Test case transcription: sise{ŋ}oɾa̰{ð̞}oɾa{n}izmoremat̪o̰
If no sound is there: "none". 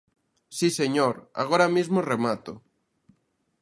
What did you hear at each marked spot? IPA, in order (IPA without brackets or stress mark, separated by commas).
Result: ɲ, ɣ̞, m